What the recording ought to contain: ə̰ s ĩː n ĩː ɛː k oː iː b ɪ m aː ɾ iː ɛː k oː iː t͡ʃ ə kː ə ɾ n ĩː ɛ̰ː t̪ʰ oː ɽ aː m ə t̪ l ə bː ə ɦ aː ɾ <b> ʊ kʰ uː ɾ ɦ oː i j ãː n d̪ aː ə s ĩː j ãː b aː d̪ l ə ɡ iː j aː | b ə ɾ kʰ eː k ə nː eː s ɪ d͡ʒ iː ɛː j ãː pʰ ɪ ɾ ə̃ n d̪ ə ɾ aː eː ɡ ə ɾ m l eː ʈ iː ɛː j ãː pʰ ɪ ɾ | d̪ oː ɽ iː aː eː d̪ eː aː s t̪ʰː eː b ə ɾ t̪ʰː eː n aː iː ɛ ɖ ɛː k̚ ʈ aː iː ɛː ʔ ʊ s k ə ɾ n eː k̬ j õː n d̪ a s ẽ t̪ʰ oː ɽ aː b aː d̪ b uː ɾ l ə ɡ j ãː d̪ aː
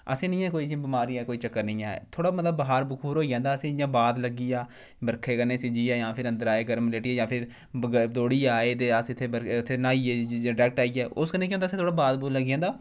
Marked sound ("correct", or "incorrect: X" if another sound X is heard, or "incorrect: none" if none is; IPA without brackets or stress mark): correct